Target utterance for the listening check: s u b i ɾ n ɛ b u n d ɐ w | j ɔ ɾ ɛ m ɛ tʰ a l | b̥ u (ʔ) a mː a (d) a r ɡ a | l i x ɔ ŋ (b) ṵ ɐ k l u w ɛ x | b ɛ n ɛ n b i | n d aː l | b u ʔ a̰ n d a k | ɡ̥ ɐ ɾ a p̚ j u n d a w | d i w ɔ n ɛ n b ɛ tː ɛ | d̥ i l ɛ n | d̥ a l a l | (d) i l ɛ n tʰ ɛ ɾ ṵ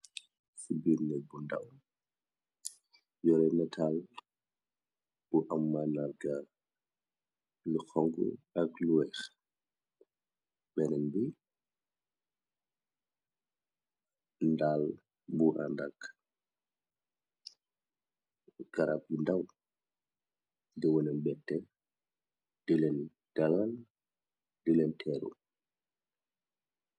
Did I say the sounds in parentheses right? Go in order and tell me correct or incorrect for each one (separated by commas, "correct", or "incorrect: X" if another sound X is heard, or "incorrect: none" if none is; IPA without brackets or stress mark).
correct, incorrect: n, incorrect: ɡ, correct